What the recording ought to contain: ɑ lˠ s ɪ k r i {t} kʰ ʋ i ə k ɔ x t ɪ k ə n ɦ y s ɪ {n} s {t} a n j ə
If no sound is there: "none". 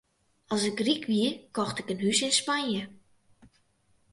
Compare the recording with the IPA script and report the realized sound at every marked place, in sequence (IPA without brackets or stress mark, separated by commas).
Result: none, n, p